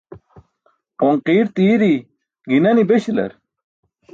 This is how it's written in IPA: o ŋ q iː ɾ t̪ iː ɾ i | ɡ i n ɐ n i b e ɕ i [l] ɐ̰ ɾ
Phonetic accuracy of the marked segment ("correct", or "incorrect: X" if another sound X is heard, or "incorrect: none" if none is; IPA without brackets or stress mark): correct